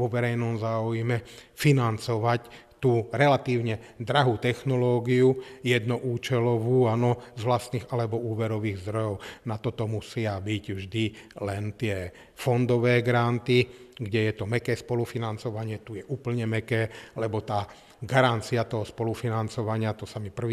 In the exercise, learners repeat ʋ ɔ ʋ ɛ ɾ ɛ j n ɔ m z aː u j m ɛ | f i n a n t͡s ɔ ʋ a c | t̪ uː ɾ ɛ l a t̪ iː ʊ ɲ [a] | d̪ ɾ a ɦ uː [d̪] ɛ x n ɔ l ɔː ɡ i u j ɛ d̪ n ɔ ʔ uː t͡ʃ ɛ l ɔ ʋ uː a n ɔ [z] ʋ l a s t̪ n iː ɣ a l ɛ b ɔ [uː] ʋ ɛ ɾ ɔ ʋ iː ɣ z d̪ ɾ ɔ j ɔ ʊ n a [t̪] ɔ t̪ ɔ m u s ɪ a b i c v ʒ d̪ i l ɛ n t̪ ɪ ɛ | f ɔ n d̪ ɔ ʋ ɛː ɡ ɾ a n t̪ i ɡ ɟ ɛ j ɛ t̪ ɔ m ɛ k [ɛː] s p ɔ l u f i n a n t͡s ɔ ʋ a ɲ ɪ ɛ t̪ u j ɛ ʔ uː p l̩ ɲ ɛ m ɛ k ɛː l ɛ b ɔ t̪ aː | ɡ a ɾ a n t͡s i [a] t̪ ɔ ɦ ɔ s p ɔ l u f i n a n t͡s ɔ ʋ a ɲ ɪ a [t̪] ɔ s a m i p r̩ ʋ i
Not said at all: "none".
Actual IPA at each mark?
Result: ɛ, t̪, z, uː, t̪, ɛː, a, t̪

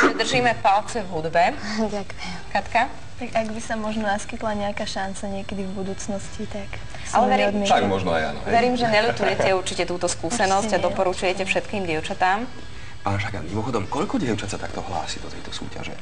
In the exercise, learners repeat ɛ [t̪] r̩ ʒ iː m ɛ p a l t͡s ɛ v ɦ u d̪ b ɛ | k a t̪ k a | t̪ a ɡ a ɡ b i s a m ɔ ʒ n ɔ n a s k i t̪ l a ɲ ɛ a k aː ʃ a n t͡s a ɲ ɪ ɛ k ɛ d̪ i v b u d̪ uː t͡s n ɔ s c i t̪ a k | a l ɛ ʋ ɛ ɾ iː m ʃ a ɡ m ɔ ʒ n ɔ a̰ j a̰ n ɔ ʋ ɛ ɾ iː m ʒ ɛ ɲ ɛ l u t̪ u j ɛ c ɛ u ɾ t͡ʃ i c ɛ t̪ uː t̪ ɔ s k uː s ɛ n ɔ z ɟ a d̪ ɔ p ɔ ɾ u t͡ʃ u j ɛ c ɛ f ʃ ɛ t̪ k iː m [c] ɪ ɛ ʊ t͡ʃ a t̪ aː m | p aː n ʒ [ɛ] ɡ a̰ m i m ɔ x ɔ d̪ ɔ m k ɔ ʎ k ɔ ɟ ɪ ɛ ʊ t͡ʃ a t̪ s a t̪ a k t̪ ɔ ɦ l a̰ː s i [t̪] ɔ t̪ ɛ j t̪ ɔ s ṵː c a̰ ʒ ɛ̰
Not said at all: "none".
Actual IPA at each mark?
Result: d̪, ɟ, a, d̪

